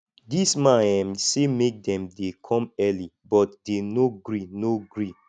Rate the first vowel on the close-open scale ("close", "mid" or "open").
close